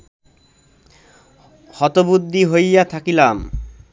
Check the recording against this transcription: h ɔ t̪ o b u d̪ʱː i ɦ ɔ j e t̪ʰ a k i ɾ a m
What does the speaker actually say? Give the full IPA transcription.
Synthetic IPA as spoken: h ɔ t̪ o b u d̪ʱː i ɦ o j a t̪ʰ a k i l a m